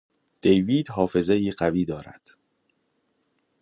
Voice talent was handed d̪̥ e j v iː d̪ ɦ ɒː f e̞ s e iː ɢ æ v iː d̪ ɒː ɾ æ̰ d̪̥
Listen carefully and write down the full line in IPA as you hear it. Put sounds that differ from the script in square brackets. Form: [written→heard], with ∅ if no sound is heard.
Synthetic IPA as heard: d̪̥ e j v iː d̪ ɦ ɒː f e̞ [s→z] e iː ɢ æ v iː d̪ ɒː ɾ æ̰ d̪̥